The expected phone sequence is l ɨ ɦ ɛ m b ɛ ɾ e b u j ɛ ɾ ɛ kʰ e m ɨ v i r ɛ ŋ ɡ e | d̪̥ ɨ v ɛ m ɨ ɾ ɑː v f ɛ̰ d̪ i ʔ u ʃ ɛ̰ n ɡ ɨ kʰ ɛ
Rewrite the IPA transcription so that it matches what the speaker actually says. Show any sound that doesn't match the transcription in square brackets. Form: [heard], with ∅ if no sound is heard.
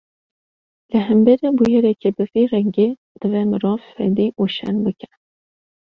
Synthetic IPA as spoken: l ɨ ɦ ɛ m b ɛ ɾ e b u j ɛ ɾ ɛ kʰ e [b] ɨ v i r ɛ ŋ ɡ e | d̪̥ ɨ v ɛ m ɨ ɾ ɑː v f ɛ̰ d̪ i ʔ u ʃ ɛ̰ n [b] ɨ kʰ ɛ